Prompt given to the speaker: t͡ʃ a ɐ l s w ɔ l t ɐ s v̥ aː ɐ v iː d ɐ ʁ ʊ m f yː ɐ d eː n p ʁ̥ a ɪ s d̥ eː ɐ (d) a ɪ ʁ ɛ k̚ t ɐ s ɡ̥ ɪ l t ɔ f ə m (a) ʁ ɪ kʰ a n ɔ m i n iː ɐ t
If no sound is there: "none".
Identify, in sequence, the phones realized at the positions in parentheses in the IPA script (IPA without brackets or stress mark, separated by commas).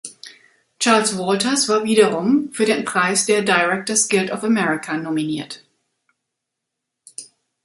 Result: d, ɛ